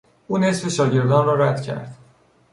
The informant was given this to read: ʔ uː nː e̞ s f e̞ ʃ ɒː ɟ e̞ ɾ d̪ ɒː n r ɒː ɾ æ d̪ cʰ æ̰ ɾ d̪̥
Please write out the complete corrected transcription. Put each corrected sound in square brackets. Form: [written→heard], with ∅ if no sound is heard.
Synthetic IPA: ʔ uː [nː→n] e̞ s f e̞ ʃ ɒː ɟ e̞ ɾ d̪ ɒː n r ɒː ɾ æ d̪ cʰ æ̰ ɾ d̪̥

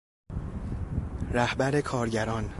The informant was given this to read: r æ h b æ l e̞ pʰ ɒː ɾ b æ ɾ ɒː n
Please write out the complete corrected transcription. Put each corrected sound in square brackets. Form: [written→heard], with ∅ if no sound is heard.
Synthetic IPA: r æ h b æ [l→ɾ] e̞ [pʰ→kʰ] ɒː ɾ [b→ɟ] æ ɾ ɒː n

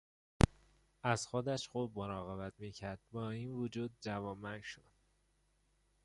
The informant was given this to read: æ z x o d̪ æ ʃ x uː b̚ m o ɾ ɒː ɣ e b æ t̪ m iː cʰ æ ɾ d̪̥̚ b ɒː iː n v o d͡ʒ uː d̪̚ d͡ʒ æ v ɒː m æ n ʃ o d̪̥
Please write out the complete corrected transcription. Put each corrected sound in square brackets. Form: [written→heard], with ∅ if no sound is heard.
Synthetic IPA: æ z x o d̪ æ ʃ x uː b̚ m o ɾ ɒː ɣ e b æ t̪ m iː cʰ æ ɾ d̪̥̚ b ɒː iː n v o d͡ʒ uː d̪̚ d͡ʒ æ v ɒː m æ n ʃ o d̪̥

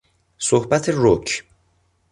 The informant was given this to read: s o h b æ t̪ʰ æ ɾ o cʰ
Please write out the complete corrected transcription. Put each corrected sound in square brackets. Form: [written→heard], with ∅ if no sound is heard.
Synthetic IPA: s o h b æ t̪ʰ [æ→e] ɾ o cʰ

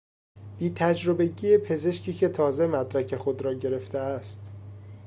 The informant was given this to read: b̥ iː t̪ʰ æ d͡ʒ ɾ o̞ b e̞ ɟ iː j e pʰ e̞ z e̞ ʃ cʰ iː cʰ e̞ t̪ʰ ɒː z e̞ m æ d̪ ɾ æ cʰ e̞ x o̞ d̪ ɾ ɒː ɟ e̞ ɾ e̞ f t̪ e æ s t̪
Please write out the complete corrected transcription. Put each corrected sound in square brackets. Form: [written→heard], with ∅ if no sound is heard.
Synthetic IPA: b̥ iː t̪ʰ æ d͡ʒ ɾ o̞ b e̞ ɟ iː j e pʰ e̞ z e̞ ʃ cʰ iː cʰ e̞ t̪ʰ ɒː z e̞ m æ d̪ ɾ æ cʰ e̞ x o̞ d̪ ɾ ɒː ɟ e̞ ɾ e̞ f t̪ e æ s t̪

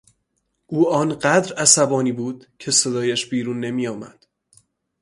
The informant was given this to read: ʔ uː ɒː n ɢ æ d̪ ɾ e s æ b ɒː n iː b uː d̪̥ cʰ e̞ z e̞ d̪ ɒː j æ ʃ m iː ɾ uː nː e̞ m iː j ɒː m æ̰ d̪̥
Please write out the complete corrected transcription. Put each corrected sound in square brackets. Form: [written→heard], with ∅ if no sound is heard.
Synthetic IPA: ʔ uː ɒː n ɢ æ d̪ ɾ [e→æ] s æ b ɒː n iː b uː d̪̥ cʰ e̞ [z→s] e̞ d̪ ɒː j æ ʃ [m→b] iː ɾ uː nː e̞ m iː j ɒː m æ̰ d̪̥

